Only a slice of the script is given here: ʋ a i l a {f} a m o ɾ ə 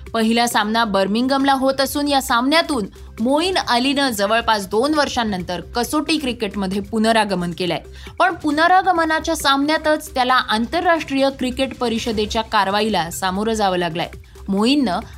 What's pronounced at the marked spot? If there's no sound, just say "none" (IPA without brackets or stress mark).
s